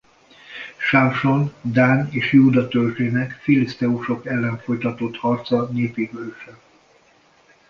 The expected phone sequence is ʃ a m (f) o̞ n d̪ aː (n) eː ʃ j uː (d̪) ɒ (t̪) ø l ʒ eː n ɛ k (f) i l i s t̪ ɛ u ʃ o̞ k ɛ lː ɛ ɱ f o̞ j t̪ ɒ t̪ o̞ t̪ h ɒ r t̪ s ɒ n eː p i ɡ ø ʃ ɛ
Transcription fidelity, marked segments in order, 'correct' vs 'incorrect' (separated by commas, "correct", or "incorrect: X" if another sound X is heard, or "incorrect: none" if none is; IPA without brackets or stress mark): incorrect: ʃ, correct, correct, correct, correct